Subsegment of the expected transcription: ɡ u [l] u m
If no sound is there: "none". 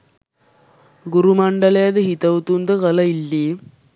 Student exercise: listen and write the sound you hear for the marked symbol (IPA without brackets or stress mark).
ɾ